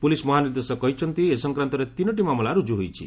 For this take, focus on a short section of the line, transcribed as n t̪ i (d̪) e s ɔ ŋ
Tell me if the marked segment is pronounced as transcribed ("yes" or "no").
no